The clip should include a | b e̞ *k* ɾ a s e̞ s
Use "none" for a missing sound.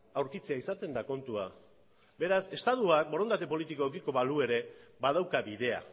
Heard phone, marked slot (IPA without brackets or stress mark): none